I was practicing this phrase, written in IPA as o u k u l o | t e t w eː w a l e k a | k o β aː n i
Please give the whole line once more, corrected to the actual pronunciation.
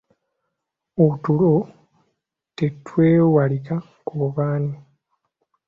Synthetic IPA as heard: o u t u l o | t e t w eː w a l i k a | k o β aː n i